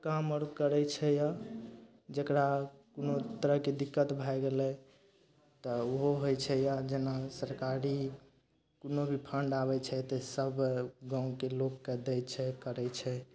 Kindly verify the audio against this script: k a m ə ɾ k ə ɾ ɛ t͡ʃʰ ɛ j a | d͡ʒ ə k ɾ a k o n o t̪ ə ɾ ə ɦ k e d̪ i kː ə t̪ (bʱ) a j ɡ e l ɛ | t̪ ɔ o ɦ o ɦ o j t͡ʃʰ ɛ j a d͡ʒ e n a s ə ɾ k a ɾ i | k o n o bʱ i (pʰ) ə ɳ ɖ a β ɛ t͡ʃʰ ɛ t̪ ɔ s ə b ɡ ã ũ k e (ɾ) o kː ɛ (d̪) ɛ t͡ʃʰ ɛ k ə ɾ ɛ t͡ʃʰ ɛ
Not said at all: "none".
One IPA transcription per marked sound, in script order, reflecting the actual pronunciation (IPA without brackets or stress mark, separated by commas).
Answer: bʱ, pʰ, l, d̪